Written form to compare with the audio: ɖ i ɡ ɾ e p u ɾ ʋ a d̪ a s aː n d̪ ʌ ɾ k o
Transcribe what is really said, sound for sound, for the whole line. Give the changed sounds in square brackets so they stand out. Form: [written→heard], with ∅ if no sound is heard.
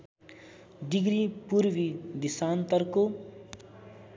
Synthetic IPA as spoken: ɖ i ɡ ɾ [e→i] p u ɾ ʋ [a→i] d̪ [a→i] s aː n [d̪→t̪] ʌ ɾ k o